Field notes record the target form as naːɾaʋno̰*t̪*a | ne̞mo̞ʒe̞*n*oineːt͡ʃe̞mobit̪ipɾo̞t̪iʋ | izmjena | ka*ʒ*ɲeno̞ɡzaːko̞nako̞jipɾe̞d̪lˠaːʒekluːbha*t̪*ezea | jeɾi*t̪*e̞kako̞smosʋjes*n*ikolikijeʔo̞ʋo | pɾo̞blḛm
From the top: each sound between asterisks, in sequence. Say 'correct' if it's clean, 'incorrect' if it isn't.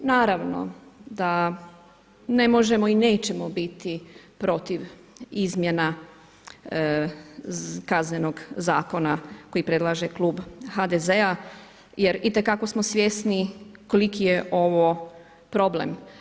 incorrect, incorrect, incorrect, incorrect, correct, correct

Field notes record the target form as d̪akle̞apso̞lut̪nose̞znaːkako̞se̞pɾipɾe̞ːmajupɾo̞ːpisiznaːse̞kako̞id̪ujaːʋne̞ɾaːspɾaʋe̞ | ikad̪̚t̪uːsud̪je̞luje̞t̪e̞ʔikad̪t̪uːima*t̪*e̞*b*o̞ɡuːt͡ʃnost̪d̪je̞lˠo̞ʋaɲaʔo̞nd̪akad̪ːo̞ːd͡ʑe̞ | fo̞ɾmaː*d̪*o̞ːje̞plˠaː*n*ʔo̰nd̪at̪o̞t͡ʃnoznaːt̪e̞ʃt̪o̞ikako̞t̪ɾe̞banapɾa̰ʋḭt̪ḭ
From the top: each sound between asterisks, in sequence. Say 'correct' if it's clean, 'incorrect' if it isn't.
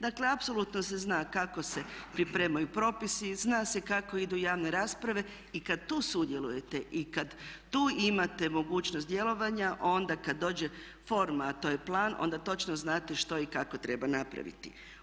correct, incorrect, incorrect, correct

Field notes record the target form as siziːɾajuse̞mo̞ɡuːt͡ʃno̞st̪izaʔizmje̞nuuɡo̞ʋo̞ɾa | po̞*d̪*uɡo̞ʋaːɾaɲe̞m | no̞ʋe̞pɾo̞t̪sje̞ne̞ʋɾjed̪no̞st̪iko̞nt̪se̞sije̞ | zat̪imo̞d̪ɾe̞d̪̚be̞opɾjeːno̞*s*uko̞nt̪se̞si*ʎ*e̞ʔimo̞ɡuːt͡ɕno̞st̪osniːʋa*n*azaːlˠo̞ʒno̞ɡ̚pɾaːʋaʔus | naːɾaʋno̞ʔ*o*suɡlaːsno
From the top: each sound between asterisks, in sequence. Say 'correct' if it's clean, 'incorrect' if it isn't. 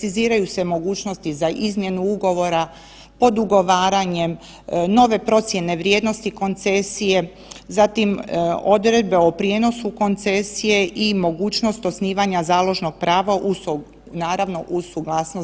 correct, correct, incorrect, incorrect, incorrect

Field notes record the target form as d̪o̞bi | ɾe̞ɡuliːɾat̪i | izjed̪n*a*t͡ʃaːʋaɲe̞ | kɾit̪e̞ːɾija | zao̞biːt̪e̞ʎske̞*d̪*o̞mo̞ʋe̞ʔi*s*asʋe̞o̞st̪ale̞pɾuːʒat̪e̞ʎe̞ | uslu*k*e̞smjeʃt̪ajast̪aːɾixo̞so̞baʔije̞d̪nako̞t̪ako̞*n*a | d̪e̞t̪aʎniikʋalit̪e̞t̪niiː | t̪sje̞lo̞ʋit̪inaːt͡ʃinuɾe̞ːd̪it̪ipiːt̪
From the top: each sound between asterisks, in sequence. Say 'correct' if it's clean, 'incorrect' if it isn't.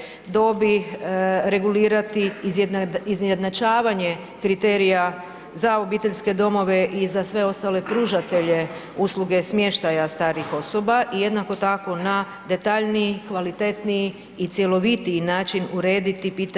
correct, correct, incorrect, incorrect, correct

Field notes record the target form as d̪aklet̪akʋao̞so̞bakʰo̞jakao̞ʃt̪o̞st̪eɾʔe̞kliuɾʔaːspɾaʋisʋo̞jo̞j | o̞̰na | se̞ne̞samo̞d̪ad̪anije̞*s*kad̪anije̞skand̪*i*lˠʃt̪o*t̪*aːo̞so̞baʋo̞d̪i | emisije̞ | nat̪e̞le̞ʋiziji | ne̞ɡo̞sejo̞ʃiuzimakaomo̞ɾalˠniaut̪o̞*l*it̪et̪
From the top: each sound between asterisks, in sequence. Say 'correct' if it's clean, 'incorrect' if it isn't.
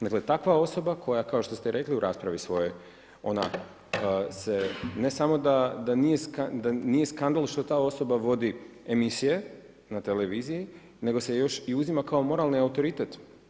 correct, incorrect, correct, incorrect

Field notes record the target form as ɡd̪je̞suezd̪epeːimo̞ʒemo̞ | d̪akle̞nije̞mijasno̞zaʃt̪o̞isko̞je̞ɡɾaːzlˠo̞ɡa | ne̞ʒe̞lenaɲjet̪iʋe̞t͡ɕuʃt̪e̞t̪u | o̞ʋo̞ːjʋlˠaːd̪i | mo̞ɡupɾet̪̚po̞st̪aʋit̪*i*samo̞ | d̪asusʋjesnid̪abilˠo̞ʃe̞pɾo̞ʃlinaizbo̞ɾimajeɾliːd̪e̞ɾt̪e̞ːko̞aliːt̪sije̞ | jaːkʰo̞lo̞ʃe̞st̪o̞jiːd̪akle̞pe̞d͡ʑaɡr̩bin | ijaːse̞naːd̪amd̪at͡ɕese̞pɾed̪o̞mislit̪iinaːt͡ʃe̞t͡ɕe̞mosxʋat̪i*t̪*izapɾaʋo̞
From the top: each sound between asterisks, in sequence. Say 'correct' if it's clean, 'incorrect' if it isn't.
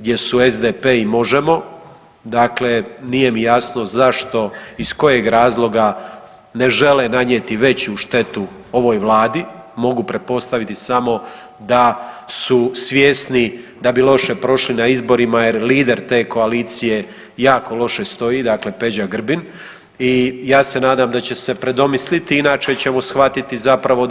correct, correct

